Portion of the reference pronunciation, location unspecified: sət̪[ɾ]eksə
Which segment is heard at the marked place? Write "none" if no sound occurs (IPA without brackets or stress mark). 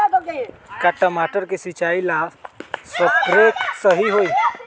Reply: ɾ